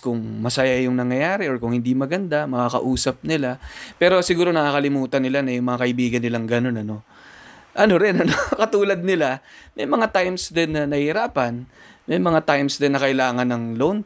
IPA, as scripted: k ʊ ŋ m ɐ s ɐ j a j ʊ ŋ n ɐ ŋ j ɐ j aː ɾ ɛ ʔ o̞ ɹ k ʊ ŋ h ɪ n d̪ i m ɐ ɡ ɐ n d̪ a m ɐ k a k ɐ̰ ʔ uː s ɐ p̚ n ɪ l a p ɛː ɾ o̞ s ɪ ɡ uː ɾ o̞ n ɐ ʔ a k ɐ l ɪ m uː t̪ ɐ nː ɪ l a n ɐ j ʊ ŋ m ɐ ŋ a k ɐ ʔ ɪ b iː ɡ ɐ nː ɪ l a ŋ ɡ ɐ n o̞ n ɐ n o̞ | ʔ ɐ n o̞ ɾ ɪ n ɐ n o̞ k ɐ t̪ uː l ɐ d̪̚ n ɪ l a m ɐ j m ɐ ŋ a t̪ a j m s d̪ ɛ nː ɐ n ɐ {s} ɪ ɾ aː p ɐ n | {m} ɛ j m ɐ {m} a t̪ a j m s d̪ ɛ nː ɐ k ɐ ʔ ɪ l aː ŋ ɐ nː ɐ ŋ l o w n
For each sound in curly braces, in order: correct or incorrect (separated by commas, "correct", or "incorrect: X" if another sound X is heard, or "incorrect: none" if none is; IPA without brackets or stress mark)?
incorrect: h, correct, incorrect: ŋ